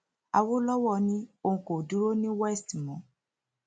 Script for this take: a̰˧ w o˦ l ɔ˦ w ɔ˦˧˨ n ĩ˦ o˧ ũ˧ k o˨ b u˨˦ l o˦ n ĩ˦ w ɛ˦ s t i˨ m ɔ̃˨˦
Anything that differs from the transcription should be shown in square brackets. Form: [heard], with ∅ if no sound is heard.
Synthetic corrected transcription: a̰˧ w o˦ l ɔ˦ w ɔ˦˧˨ n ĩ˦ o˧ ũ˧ k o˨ [d] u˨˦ [ɾ] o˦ n ĩ˦ w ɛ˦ s t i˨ m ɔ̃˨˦